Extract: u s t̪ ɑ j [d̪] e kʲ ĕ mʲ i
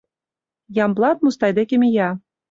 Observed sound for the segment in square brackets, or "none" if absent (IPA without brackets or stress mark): d̪